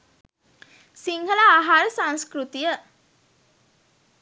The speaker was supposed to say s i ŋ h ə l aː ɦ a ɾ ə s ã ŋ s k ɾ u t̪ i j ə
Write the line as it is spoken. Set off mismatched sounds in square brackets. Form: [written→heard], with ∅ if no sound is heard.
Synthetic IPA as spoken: s i ŋ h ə l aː ɦ a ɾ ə s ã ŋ s k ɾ u t̪ i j ə